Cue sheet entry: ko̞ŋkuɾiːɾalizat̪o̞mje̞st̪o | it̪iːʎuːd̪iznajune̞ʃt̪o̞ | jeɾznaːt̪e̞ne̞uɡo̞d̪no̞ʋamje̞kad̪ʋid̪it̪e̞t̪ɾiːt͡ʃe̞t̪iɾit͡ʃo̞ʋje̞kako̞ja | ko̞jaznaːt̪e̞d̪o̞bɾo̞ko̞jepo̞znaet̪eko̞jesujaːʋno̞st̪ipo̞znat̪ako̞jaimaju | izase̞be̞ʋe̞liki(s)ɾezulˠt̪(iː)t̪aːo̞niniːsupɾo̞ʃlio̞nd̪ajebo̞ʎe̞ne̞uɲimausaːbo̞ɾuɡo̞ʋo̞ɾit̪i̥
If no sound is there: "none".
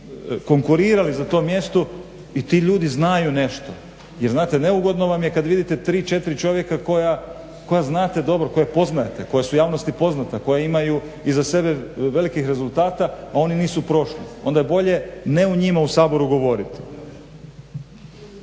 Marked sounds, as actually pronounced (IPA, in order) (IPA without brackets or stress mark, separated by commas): x, aː